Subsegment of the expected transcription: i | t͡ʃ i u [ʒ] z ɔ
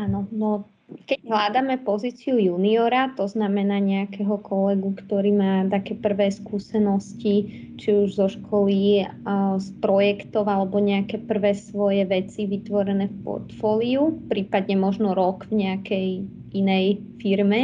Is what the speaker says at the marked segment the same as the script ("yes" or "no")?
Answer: yes